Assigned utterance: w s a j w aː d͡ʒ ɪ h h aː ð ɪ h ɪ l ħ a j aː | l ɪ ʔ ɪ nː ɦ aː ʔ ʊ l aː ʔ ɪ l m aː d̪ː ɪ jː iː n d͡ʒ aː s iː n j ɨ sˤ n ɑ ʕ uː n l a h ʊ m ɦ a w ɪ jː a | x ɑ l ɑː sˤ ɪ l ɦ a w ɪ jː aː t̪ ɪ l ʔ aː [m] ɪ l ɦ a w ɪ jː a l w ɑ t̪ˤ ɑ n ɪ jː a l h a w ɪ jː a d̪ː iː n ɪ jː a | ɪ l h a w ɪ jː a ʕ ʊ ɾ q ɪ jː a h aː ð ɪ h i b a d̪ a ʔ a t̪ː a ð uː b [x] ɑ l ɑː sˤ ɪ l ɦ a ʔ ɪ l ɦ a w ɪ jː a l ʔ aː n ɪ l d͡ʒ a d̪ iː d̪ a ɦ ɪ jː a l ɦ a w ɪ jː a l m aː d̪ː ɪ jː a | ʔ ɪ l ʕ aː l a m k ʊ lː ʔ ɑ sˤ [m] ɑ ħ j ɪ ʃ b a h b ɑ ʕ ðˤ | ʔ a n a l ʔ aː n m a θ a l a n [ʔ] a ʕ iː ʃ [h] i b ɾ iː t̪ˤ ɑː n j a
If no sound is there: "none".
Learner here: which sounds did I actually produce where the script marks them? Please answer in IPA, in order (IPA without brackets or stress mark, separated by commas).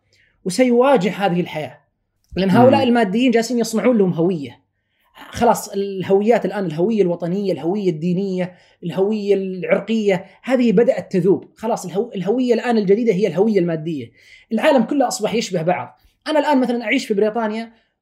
n, x, b, ʔ, f